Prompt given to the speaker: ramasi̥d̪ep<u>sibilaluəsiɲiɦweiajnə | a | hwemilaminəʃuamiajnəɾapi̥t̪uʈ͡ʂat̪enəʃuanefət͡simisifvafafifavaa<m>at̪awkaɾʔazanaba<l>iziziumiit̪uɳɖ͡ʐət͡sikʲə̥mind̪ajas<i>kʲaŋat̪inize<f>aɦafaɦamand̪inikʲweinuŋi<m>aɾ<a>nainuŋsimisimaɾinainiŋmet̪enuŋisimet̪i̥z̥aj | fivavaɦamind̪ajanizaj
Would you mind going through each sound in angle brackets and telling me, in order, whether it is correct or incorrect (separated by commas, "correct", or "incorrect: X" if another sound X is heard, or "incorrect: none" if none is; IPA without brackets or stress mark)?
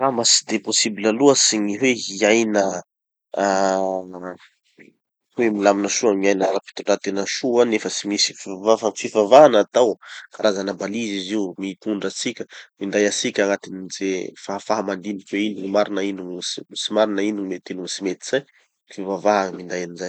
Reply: incorrect: o, incorrect: n, correct, correct, correct, correct, incorrect: i